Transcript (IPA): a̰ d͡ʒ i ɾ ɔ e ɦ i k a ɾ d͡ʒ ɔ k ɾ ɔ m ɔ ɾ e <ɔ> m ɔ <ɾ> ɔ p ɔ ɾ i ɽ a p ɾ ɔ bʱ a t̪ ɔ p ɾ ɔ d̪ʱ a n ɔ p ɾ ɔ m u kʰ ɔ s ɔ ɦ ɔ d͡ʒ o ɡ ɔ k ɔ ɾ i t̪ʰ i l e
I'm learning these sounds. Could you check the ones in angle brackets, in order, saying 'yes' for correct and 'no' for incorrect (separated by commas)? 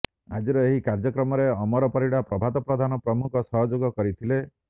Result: yes, yes